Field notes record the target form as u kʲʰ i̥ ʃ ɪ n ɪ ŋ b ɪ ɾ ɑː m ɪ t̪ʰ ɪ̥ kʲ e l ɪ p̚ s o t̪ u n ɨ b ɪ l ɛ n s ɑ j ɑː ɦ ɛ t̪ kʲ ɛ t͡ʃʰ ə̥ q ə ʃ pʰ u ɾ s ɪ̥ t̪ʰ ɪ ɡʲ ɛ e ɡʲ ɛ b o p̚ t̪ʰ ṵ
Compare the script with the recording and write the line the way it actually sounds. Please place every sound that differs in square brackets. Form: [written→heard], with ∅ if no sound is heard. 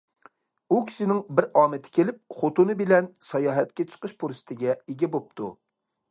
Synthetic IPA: u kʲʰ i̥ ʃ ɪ n ɪ ŋ b ɪ ɾ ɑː m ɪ t̪ʰ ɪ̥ kʲ e l ɪ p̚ [s→χ] o t̪ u n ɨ b ɪ l ɛ n s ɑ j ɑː ɦ ɛ t̪ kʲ ɛ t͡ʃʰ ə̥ q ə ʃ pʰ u ɾ s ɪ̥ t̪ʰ ɪ ɡʲ ɛ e ɡʲ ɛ b o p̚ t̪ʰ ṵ